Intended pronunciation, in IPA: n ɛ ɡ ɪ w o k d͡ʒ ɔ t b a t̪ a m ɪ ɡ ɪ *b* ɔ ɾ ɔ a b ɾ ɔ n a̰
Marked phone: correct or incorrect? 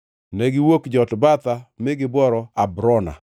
correct